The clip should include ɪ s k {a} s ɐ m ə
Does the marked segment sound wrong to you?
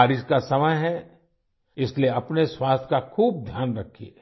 no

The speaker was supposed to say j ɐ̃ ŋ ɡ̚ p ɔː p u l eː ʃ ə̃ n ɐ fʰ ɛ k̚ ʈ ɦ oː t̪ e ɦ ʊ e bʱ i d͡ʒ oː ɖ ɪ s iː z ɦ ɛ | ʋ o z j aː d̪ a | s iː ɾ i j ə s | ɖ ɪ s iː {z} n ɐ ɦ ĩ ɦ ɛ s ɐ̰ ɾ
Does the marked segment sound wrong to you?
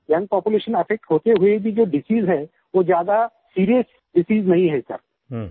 no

